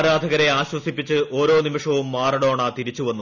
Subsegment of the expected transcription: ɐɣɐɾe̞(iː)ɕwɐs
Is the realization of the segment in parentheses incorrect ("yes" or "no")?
yes